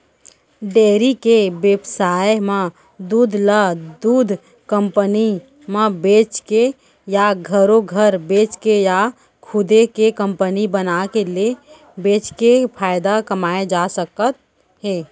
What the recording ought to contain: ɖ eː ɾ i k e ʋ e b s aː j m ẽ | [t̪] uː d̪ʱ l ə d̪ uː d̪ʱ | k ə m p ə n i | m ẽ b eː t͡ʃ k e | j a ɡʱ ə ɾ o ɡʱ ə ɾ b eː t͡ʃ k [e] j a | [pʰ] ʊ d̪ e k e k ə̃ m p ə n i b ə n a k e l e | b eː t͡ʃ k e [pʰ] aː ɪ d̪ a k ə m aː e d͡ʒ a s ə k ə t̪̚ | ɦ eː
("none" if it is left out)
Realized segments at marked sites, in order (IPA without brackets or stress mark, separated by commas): d̪, e, kʰ, pʰ